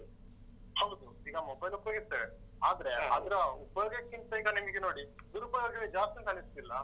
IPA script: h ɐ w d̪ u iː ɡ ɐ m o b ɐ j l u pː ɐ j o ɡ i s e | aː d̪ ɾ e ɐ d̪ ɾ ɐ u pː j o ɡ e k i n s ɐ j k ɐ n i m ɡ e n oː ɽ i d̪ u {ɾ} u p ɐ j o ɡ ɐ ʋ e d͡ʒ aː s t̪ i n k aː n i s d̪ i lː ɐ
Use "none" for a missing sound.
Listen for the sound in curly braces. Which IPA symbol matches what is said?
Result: ɾ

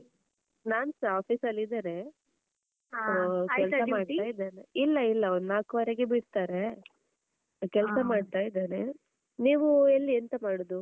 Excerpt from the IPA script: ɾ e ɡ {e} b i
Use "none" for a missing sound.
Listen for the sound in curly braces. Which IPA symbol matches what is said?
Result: e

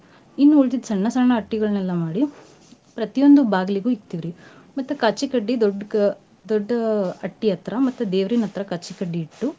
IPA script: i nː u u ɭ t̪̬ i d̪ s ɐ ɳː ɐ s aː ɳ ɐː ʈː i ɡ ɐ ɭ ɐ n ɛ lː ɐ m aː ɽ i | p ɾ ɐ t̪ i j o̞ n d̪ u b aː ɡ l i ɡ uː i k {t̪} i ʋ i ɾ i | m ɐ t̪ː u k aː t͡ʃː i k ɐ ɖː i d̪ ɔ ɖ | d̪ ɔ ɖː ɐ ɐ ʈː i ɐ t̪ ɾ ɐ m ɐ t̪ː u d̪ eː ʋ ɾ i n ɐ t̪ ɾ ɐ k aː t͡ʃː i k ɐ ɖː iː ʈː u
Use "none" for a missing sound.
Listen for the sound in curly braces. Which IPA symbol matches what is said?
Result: t̪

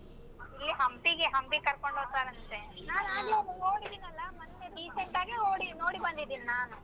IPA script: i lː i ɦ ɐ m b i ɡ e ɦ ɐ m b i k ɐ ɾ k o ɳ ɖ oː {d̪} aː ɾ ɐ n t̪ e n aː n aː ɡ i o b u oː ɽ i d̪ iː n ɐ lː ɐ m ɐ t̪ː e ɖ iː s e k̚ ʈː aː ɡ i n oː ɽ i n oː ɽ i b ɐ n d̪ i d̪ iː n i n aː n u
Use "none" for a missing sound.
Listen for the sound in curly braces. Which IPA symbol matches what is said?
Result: t̪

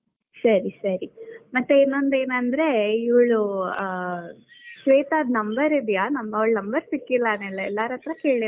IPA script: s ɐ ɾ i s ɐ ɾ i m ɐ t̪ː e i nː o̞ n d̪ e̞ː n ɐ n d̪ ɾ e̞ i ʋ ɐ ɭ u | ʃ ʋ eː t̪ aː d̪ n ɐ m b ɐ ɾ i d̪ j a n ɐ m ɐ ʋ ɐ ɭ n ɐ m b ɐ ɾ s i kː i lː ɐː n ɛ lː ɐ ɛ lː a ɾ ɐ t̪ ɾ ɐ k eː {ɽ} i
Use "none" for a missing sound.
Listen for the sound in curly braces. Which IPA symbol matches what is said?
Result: ɭ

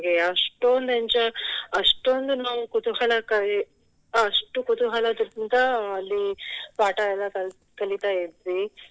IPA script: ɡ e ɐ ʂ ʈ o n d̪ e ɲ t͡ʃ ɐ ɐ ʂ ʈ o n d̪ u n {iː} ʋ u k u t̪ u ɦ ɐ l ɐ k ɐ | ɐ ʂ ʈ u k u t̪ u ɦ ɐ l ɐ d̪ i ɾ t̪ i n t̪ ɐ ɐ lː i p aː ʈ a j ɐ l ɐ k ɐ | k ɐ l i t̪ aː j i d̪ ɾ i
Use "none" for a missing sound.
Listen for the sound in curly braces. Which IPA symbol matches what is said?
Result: aː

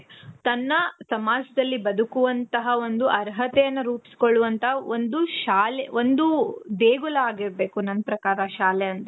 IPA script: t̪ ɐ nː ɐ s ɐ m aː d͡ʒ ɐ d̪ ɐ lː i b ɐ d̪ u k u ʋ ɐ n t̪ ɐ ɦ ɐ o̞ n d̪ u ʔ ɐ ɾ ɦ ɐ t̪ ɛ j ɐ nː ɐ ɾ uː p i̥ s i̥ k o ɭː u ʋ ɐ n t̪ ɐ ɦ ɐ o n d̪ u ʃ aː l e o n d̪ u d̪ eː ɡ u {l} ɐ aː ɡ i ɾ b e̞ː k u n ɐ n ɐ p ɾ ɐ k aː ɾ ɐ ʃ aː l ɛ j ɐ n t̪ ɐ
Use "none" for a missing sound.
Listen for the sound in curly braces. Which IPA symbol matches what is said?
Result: l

